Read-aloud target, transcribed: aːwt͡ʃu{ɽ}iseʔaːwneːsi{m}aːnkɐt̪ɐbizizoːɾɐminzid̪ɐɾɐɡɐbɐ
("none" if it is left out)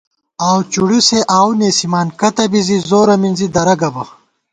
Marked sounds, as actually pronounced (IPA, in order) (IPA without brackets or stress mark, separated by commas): ɽ, m